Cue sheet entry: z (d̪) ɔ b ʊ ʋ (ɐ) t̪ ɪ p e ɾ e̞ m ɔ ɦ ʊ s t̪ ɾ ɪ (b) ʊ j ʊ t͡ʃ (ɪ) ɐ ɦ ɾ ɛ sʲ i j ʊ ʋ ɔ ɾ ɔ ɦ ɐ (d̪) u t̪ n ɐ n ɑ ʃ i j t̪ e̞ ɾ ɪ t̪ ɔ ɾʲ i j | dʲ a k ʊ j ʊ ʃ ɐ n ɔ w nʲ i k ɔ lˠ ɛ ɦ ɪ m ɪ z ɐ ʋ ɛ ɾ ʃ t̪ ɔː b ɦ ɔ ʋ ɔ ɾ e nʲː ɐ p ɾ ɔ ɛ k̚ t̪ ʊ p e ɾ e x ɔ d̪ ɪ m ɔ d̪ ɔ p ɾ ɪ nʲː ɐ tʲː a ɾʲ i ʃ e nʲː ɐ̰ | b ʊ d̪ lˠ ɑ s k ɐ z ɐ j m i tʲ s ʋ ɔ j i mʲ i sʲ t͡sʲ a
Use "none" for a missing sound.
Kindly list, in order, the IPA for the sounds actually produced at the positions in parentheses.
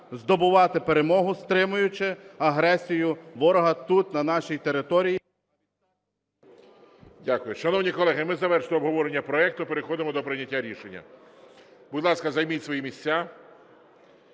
d̪, ɑ, m, ɪ, t̪

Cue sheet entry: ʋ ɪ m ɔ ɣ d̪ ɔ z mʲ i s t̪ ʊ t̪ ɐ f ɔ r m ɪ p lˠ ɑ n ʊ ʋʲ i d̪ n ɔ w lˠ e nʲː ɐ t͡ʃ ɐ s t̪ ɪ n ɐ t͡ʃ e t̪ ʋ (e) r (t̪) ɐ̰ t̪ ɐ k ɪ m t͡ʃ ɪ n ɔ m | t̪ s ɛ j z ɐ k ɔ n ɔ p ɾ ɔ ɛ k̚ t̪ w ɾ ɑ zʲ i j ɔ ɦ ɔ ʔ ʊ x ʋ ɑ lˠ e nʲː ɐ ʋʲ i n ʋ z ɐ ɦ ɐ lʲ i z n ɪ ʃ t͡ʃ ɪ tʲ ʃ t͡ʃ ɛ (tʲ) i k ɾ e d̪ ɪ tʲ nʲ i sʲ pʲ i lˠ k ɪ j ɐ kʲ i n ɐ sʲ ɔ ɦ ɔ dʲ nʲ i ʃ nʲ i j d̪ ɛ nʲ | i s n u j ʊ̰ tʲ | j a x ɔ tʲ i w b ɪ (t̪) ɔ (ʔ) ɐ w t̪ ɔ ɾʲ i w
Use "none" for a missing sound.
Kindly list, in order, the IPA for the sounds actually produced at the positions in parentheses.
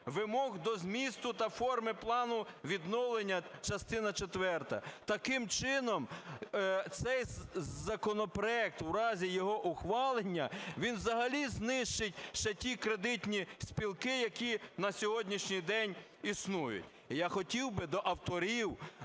ɛ, t̪, tʲ, d̪, ʔ

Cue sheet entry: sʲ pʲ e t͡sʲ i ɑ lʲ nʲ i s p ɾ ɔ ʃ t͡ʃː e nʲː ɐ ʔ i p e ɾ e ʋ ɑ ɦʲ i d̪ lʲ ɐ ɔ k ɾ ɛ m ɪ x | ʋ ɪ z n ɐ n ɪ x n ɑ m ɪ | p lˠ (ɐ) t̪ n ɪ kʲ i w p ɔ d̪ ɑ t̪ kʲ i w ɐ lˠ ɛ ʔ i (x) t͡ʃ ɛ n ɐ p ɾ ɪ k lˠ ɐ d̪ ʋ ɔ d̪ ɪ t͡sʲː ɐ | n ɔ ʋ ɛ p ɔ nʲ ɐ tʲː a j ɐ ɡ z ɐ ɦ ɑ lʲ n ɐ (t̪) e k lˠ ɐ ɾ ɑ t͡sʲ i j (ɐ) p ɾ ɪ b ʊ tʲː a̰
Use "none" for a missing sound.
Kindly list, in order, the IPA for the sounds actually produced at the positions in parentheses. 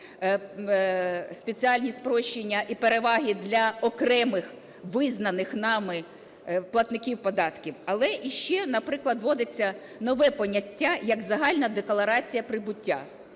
ɐ, ʃ, d̪, ɐ

